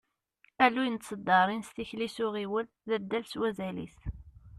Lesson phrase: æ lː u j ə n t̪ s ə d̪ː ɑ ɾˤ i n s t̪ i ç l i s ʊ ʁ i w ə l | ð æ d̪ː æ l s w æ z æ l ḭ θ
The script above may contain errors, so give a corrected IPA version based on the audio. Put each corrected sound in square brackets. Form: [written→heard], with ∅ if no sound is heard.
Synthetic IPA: æ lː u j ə n t̪ s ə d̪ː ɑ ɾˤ i n s t̪ i ç l i s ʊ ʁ i w ə l | ð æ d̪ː æ l s w æ z æ l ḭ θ